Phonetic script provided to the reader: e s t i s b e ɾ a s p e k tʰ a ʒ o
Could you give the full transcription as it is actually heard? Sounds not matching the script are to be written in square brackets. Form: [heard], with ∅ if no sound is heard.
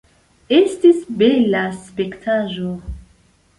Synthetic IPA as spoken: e s t i s b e [l] a s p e k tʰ a ʒ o